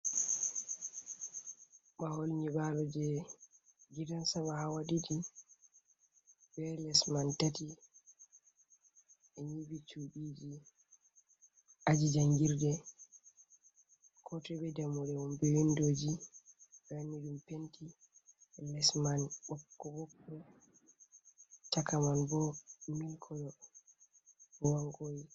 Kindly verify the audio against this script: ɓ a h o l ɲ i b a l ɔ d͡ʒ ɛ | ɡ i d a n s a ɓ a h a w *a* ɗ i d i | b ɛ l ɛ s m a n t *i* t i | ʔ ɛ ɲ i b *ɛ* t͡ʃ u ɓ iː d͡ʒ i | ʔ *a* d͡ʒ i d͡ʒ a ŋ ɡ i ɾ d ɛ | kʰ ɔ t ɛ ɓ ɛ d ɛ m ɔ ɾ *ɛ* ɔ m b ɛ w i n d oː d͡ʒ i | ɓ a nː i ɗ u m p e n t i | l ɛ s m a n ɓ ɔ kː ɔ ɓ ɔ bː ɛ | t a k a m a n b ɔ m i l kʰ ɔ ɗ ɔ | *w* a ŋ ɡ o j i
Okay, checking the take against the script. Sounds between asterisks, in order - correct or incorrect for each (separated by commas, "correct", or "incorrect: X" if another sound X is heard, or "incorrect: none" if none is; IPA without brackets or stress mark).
correct, incorrect: a, incorrect: i, correct, correct, correct